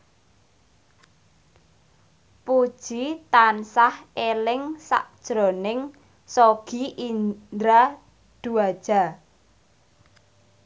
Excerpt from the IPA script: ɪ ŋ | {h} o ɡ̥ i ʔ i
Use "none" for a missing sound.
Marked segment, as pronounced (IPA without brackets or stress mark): s